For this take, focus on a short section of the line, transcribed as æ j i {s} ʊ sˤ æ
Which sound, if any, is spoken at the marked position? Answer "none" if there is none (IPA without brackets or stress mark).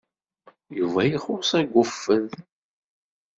χ